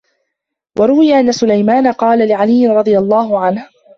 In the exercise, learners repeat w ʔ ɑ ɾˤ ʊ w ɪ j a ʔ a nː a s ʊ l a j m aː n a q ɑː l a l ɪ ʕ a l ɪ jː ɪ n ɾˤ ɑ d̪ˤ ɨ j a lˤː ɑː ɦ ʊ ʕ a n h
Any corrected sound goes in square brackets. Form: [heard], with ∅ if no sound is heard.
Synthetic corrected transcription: w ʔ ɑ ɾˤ ʊ w ɪ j a ʔ a nː a s ʊ l a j m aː n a q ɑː l a l ɪ ʕ a l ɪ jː ɪ n ɾˤ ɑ d̪ˤ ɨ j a lˤː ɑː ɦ ʊ ʕ a n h